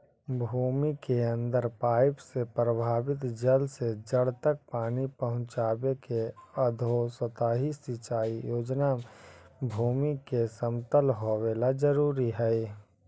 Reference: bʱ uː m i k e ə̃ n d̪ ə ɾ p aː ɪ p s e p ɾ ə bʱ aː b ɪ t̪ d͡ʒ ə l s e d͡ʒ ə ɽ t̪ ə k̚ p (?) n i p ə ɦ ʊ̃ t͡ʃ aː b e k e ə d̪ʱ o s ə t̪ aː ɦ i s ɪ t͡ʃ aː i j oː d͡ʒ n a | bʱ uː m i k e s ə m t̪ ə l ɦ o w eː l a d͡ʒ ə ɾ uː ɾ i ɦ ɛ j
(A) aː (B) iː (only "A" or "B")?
A